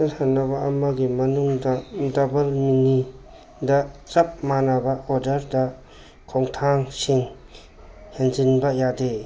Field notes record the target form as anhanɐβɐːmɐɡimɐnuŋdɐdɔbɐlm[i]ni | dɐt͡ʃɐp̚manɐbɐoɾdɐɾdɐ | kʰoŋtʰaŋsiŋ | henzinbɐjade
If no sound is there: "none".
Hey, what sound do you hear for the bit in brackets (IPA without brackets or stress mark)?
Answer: i